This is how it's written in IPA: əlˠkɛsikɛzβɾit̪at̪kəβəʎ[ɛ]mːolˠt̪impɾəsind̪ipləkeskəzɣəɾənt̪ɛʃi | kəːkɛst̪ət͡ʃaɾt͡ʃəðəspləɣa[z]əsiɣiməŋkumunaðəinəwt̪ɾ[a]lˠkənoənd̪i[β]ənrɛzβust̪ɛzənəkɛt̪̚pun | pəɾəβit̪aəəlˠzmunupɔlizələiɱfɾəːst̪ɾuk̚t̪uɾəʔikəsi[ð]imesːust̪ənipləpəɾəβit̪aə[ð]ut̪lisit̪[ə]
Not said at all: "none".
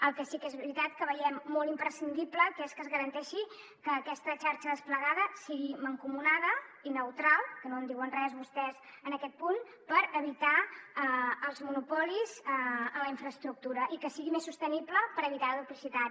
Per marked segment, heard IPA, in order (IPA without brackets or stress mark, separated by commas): ɛ, ð, a, w, ɣ, ð, a